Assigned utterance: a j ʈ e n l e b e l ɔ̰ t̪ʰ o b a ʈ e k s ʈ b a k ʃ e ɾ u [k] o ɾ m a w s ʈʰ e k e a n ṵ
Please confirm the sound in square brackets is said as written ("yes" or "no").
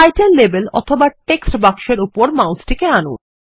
no